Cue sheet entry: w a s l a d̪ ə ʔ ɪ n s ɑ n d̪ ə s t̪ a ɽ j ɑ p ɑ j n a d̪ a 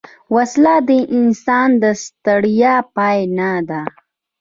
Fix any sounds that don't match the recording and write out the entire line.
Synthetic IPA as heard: w a s l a d̪ ə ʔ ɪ n s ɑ n d̪ ə s t̪ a ɽ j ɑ p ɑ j n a d̪ a